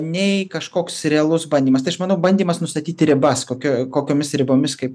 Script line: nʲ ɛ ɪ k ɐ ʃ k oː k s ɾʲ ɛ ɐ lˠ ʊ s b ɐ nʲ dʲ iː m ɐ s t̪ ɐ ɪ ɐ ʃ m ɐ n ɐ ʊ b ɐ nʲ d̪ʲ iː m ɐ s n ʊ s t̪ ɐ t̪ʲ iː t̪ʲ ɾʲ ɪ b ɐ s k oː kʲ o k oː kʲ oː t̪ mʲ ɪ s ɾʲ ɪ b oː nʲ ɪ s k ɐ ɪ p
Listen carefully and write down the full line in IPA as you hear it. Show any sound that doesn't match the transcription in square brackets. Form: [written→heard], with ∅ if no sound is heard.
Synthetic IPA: nʲ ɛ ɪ k ɐ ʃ k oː k s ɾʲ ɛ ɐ lˠ ʊ s b ɐ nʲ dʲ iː m ɐ s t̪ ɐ ɪ ɐ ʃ m ɐ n ɐ ʊ b ɐ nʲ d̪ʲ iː m ɐ s n ʊ s t̪ ɐ t̪ʲ iː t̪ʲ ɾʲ ɪ b ɐ s k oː kʲ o k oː kʲ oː [t̪→∅] mʲ ɪ s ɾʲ ɪ b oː [nʲ→mʲ] ɪ s k ɐ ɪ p